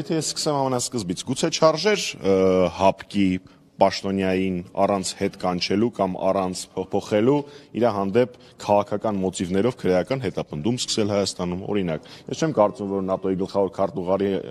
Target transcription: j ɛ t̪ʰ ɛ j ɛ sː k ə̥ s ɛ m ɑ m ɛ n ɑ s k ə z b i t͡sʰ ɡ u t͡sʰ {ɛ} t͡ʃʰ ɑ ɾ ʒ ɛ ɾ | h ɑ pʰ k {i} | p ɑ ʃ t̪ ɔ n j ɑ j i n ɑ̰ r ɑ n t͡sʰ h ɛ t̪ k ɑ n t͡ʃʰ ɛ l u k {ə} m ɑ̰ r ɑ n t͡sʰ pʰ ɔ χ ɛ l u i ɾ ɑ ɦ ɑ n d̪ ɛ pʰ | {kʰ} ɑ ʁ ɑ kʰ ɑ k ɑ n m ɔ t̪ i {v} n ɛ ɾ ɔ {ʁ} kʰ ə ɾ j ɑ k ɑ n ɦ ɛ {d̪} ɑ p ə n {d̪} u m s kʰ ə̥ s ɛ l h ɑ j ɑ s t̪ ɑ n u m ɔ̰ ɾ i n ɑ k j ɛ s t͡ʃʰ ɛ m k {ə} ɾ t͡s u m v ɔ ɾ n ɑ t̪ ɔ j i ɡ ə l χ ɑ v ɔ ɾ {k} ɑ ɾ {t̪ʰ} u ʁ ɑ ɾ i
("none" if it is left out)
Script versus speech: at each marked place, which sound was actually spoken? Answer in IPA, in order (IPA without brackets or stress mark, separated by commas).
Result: ɛ, i, ɑ, kʰ, v, v, t̪, d̪, ɑ, kʰ, t̪